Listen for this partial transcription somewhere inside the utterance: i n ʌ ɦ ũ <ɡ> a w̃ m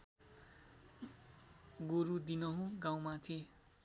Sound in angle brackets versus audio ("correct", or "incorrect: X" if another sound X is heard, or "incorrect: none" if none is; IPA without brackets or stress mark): correct